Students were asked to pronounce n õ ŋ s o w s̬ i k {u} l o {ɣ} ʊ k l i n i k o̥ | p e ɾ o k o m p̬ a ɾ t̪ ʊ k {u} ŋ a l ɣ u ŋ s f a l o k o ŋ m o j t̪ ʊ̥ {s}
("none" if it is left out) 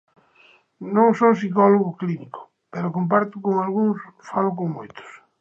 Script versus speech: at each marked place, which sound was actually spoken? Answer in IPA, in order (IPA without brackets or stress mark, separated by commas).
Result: ɔ, ɣ, o, s